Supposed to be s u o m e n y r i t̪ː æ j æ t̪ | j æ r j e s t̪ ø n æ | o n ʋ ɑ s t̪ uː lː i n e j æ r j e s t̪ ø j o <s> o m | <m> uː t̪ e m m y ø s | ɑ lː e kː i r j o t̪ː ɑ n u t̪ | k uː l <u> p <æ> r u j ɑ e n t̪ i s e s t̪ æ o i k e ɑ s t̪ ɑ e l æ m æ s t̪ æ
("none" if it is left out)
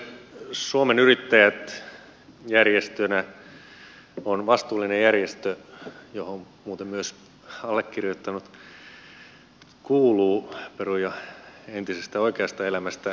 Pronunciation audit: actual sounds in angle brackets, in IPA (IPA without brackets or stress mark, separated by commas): h, m, uː, e